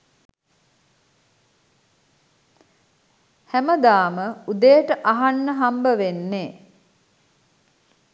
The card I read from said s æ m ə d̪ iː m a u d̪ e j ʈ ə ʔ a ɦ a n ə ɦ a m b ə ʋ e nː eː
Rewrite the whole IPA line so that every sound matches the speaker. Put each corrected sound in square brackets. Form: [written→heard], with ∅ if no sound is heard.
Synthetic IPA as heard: [s→h] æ m ə d̪ [iː→aː] m [a→ə] u d̪ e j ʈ ə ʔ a ɦ a [n→nː] ə ɦ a m b ə ʋ e nː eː